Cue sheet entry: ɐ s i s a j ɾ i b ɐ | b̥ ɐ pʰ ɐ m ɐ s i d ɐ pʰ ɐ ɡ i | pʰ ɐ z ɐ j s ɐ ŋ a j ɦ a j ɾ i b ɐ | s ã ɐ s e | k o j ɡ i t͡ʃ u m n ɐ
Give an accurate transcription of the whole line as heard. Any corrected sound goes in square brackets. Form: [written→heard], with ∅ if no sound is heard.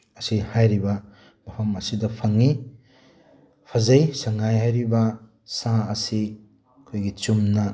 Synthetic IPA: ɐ s i [s→h] a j ɾ i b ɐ | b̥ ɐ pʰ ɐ m ɐ s i d ɐ pʰ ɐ [ɡ→ŋ] i | pʰ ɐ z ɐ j s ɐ ŋ a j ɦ a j ɾ i b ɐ | s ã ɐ s [e→i] | [k→kʰ] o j ɡ i t͡ʃ u m n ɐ